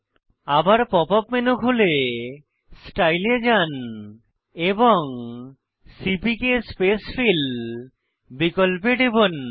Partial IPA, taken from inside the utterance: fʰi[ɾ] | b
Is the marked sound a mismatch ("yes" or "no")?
yes